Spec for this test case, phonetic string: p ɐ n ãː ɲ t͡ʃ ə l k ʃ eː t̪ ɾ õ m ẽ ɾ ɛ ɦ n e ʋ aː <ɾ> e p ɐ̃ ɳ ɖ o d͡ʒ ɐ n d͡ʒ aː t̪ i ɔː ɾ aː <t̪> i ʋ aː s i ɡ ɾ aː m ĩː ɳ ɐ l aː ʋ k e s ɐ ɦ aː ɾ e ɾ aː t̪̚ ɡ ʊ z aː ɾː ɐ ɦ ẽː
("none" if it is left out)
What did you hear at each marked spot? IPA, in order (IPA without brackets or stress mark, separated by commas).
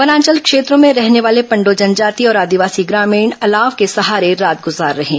l, d̪